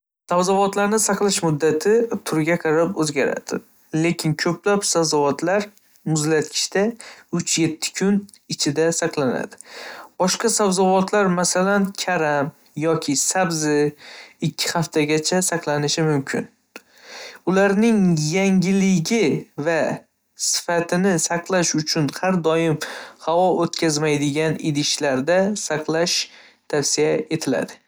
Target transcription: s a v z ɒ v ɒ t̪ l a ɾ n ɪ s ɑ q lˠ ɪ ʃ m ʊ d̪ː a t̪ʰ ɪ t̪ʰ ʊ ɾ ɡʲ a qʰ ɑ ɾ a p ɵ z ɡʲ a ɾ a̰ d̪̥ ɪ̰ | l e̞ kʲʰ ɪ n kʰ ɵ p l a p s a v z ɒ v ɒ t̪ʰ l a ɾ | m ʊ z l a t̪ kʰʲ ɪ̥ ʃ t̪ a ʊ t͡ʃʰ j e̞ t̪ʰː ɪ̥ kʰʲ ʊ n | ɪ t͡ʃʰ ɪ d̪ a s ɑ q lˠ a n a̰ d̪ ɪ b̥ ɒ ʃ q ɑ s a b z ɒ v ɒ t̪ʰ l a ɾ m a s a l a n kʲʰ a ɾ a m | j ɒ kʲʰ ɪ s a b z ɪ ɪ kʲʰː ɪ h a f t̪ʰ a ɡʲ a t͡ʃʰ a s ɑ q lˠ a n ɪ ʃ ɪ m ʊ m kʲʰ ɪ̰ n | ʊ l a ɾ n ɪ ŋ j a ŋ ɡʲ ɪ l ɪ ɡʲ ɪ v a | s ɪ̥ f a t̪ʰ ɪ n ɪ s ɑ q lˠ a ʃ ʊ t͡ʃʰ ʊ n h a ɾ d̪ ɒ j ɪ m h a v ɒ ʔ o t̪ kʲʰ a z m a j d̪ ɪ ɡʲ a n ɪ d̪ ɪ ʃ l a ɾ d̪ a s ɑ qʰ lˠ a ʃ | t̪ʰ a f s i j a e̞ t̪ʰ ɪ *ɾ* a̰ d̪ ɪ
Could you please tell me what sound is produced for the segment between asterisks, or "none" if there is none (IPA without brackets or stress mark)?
l